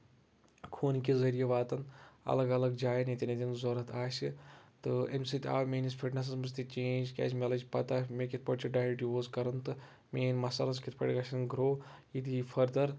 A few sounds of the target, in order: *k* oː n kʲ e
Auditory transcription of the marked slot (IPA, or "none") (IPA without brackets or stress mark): kʰ